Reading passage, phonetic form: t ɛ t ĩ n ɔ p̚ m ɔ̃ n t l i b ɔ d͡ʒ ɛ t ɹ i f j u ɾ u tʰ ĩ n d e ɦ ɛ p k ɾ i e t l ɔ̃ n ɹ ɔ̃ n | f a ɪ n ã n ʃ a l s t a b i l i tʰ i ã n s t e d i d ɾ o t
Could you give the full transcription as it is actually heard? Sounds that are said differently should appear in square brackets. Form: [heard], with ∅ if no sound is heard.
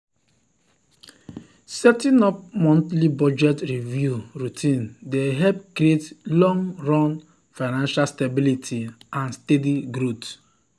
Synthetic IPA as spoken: [s] ɛ t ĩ n ɔ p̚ m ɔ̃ n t l i b ɔ d͡ʒ ɛ t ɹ i [v] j u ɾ u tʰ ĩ n d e ɦ ɛ p k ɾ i e t l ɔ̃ [ŋ] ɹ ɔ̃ n | f a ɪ n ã n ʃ a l s t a b i l i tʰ i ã n s t e d i [ɡ] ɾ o t